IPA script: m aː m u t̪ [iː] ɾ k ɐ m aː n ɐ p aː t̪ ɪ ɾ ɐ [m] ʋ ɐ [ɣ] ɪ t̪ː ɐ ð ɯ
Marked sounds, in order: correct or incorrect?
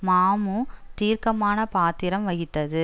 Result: correct, correct, correct

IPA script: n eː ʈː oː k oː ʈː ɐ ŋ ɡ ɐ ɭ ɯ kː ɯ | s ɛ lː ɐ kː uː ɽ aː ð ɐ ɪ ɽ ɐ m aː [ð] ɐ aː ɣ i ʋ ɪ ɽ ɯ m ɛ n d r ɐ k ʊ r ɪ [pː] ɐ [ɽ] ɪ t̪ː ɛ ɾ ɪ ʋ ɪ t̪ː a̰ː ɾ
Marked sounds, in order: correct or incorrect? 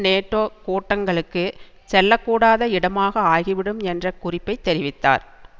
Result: incorrect: ɣ, correct, incorrect: none

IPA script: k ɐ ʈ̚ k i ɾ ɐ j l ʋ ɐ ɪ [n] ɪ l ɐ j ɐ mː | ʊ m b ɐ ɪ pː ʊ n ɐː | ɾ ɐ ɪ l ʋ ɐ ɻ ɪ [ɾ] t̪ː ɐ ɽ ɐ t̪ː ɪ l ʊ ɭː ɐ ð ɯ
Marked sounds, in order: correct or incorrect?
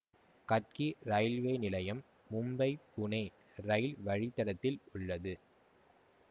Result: correct, incorrect: none

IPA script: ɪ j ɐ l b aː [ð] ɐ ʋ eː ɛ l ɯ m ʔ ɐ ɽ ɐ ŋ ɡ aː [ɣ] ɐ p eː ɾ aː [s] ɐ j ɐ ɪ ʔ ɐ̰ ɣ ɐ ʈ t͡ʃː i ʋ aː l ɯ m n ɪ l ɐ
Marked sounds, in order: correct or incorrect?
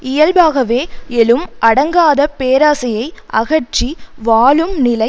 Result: incorrect: ɣ, incorrect: ð, correct

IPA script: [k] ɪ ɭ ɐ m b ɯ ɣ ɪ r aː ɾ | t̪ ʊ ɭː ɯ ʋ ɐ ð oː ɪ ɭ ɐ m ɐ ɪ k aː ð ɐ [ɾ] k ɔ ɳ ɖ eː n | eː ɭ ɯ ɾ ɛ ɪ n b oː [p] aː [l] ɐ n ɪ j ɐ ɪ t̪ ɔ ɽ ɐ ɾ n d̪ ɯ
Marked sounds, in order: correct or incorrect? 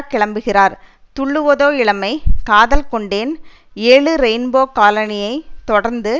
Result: correct, incorrect: l, incorrect: k, correct

